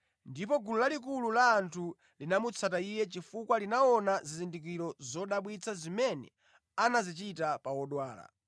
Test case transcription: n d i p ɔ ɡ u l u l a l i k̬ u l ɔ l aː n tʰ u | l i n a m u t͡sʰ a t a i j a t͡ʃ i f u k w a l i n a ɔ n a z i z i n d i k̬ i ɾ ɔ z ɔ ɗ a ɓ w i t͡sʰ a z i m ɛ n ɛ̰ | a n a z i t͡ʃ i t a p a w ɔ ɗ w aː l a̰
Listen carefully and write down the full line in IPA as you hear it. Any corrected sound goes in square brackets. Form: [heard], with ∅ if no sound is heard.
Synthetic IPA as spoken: n d i p ɔ ɡ u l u l a l i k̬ u l [u] l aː n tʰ u | l i n a m u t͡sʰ a t a i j [ɛ] t͡ʃ i f u k w a l i n a ɔ n a z i z i n d i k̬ i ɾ ɔ z ɔ ɗ a ɓ w i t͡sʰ a z i m ɛ n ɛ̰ | a n a z i t͡ʃ i t a p a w ɔ ɗ w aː l a̰